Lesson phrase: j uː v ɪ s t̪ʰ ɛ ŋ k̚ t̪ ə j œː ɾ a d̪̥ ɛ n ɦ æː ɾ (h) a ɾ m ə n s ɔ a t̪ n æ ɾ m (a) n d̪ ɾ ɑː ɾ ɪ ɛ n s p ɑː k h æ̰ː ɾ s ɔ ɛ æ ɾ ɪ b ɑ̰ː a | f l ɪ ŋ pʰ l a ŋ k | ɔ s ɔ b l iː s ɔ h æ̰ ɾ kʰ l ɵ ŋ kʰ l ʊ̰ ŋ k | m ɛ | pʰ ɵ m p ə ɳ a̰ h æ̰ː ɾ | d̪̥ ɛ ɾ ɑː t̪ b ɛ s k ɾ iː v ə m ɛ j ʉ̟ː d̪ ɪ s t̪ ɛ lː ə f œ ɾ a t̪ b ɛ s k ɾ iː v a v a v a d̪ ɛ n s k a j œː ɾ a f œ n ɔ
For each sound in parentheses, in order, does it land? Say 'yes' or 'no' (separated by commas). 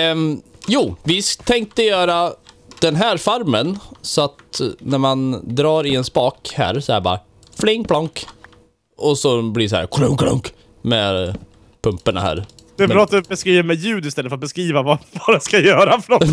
no, yes